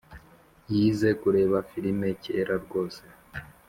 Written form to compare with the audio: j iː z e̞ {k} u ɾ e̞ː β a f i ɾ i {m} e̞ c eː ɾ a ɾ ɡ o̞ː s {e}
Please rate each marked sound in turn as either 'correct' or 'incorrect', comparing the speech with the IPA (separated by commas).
correct, correct, correct